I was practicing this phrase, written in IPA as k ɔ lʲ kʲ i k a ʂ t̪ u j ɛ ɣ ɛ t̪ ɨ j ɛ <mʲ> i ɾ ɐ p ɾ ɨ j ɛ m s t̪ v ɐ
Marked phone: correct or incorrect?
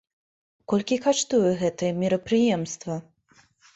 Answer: correct